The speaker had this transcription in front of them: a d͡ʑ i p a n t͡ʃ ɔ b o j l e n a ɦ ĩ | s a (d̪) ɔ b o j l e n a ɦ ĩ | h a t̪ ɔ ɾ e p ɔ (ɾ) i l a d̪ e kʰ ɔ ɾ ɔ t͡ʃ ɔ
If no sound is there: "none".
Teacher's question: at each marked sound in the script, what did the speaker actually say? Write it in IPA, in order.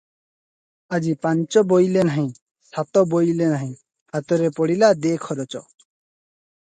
t̪, ɽ

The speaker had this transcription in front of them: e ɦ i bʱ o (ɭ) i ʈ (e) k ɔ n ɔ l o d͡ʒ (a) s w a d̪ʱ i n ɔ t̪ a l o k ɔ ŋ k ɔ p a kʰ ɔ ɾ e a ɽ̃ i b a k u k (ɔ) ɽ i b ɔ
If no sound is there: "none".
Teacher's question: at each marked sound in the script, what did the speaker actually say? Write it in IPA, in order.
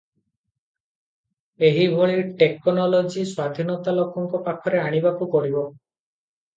ɭ, e, i, ɔ

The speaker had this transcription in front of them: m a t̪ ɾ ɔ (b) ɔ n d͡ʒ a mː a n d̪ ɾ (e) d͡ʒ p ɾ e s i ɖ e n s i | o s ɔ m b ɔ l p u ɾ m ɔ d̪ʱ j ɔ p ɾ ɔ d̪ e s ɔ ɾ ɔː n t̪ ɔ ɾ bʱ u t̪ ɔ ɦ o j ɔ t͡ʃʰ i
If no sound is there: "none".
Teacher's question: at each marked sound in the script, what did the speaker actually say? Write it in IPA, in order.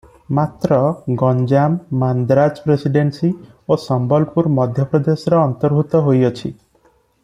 ɡ, a

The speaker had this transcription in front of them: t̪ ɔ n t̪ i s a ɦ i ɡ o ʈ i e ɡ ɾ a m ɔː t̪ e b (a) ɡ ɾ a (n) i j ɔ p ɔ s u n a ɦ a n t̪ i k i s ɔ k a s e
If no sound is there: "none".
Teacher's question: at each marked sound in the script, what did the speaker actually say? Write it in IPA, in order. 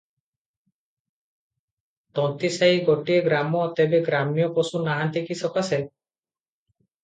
e, m

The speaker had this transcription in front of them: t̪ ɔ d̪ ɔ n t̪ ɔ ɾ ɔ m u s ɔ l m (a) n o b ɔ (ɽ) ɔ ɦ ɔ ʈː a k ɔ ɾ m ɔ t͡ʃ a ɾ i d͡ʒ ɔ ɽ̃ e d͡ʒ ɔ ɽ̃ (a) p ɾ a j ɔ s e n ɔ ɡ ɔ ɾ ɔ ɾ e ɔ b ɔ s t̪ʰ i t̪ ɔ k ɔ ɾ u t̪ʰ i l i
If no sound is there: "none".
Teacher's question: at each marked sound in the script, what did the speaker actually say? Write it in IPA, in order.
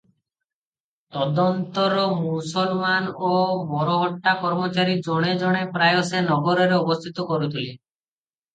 a, ɾ, e

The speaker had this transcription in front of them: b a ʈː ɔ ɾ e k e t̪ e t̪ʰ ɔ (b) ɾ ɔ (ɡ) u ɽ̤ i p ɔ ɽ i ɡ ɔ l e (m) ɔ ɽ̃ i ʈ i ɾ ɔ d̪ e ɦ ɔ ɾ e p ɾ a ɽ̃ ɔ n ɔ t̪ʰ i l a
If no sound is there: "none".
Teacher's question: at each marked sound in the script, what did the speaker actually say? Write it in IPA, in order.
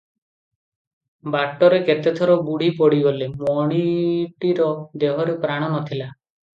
none, b, m

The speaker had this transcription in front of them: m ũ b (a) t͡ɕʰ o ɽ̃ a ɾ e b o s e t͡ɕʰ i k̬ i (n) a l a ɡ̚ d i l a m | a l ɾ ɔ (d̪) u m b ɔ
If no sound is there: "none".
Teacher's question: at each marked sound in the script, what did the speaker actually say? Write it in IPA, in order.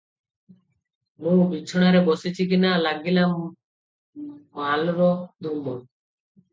i, n, d̪

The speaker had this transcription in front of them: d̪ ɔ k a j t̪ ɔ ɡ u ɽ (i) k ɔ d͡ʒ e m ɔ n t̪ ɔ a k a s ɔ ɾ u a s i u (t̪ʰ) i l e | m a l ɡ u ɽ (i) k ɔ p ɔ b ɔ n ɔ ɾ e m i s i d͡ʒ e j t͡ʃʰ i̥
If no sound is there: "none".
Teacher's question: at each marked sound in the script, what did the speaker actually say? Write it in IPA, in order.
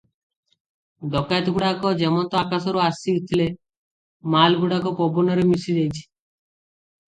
a, t̪ʰ, a

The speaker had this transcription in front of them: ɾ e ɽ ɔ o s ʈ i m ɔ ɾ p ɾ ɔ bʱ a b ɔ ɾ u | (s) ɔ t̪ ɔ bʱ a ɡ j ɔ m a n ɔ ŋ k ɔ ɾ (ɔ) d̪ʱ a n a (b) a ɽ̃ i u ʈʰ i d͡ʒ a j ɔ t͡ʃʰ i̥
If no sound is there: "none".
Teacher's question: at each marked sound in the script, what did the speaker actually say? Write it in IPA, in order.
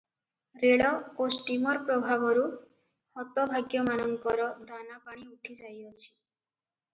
h, ɔ, p

